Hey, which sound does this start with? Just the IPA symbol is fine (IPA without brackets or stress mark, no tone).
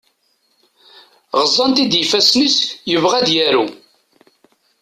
ʁ